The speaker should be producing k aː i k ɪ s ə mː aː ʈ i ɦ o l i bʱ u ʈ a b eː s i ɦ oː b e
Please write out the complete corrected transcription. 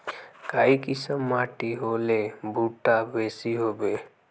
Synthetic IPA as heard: k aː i k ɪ s ə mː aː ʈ i ɦ o l e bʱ u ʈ a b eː s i ɦ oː b e